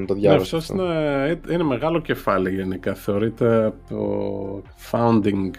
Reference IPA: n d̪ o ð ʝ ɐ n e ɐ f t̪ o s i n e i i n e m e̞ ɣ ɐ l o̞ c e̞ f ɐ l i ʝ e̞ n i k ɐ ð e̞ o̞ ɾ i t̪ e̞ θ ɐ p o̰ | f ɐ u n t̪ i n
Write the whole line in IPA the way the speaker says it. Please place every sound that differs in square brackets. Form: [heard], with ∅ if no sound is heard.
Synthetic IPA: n [t̪] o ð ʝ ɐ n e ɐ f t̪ o s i n e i i n e m e̞ ɣ ɐ l o̞ c e̞ f ɐ l i ʝ e̞ n i k ɐ [θ] e̞ o̞ ɾ i t̪ e̞ [∅] ɐ p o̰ | f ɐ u n [d̪] i [ŋ]